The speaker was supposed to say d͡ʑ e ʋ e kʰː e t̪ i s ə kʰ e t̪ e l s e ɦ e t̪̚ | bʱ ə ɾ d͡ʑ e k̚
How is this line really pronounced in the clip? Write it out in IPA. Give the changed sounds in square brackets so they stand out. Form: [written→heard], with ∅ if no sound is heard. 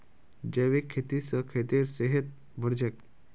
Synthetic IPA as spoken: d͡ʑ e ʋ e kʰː e t̪ i s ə kʰ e t̪ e [l→ɾ] s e ɦ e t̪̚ | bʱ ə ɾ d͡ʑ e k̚